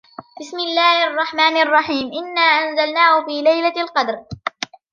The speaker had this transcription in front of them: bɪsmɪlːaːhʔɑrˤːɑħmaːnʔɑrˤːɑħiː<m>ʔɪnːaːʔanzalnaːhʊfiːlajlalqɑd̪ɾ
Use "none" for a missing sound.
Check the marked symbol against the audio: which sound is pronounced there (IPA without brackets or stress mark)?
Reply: m